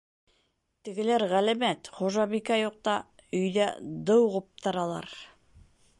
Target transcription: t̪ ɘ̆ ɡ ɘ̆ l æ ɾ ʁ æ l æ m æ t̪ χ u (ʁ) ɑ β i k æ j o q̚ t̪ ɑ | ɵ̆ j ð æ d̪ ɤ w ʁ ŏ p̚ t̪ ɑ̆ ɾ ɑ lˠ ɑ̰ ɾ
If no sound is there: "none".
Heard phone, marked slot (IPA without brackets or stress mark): ʒ